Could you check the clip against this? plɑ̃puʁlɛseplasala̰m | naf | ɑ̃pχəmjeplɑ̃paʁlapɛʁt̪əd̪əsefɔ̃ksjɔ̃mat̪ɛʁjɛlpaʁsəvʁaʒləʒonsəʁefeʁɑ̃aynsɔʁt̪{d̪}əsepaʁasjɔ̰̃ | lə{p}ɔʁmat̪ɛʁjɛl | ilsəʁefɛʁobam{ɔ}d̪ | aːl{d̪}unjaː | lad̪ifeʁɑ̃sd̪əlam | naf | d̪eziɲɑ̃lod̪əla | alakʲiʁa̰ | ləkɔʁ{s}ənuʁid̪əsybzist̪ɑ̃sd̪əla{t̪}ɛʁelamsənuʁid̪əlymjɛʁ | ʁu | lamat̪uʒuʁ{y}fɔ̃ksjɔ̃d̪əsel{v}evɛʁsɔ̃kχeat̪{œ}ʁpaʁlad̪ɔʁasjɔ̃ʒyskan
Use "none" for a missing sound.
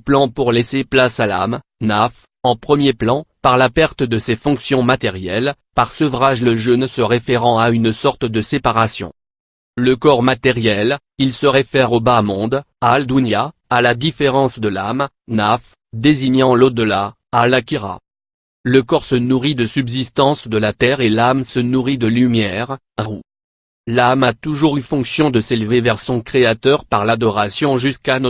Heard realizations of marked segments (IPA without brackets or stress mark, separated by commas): d̪, k, ɔ̃, d̪, s, t̪, y, v, œ